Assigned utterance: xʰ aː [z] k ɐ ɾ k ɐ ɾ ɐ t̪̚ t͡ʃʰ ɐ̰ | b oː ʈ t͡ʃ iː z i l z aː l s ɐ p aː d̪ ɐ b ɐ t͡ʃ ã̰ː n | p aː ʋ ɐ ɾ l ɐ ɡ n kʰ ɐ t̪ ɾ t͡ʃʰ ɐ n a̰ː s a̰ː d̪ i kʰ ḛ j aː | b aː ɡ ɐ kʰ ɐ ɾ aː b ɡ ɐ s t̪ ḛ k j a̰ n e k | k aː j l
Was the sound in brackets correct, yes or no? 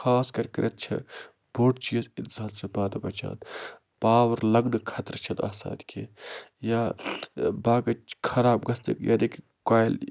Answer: no